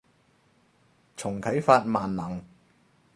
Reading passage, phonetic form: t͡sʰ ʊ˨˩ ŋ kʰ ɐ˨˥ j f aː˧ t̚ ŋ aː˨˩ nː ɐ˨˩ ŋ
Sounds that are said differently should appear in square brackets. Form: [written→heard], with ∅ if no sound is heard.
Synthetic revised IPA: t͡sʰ ʊ˨˩ ŋ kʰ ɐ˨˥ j f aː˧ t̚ [ŋ→m] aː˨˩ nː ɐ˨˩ ŋ